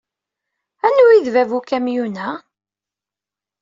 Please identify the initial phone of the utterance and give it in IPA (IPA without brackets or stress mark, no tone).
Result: æ